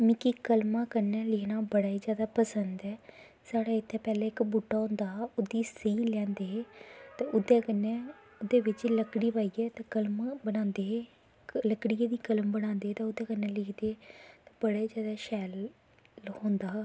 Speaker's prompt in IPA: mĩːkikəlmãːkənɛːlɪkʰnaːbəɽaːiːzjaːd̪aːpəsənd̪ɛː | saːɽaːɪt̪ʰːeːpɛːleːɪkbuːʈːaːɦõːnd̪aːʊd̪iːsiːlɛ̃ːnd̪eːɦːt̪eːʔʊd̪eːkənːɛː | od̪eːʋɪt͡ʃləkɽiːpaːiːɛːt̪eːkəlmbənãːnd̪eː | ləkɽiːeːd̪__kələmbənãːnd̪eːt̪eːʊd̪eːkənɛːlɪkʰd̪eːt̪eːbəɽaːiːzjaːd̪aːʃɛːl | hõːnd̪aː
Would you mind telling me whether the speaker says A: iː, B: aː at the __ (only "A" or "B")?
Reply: A